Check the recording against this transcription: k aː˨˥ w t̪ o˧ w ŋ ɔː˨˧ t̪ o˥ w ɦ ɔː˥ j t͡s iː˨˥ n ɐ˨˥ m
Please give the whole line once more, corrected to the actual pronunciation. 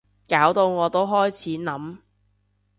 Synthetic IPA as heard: k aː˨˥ w t̪ o˧ w ŋ ɔː˨˧ t̪ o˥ w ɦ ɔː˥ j t͡sʰ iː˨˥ n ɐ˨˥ m